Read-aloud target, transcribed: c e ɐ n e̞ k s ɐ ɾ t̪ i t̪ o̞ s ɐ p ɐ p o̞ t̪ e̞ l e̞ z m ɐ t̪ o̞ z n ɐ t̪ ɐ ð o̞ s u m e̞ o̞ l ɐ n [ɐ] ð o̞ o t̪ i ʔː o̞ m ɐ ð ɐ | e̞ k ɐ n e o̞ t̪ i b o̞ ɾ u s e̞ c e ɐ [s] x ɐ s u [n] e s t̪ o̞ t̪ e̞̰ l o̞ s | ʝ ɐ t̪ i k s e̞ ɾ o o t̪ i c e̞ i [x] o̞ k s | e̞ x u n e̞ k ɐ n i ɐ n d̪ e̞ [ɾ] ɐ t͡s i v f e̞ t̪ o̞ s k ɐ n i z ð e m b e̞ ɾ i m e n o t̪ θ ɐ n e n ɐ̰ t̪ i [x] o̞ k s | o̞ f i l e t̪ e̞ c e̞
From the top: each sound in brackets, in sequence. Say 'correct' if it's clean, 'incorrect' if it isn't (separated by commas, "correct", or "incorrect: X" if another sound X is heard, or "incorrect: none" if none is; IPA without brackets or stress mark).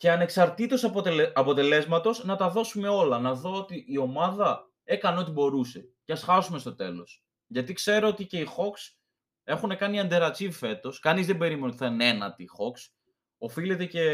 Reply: correct, correct, incorrect: m, correct, correct, correct